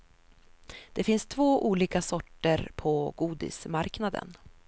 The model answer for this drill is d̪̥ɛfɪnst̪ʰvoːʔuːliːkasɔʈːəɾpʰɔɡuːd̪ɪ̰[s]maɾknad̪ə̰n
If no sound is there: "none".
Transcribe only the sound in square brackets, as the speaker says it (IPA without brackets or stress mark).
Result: s